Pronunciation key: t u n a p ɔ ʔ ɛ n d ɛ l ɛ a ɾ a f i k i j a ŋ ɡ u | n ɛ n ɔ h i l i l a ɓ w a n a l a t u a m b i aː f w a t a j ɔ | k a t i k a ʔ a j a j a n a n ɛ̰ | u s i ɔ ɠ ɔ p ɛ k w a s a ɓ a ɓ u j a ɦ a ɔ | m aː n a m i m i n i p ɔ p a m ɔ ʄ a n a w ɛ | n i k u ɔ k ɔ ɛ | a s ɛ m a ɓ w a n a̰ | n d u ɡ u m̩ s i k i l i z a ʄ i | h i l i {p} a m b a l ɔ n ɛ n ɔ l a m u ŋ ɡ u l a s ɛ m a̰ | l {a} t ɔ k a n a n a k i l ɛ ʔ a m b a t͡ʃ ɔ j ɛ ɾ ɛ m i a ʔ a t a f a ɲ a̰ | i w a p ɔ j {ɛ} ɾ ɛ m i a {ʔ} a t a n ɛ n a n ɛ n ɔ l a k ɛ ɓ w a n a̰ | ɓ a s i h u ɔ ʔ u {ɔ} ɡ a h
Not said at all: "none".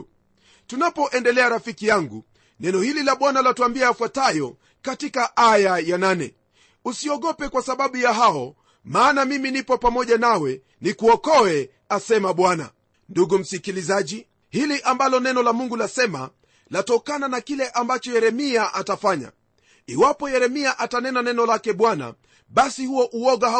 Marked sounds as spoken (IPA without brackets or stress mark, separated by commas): ʔ, a, ɛ, ʔ, ɔ